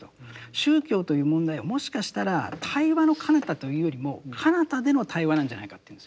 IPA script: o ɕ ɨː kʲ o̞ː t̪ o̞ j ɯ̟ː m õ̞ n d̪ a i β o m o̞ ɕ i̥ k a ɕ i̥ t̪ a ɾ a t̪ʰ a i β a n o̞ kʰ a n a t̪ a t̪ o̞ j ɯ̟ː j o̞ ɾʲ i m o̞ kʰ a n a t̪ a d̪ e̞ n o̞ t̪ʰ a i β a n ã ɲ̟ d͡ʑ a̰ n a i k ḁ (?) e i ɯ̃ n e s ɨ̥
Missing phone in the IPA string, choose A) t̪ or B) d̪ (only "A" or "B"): A